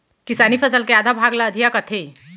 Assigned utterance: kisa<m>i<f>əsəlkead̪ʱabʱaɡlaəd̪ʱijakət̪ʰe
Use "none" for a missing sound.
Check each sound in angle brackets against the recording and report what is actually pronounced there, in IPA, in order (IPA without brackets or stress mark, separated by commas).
n, f